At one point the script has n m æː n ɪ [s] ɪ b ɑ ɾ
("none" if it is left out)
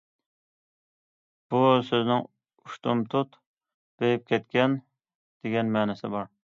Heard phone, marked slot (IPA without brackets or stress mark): s